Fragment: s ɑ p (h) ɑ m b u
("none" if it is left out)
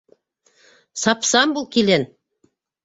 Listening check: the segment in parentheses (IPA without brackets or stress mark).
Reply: s